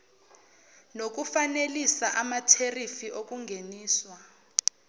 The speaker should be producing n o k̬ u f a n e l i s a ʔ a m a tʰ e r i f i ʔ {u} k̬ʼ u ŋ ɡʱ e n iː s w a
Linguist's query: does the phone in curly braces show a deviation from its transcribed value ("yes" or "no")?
yes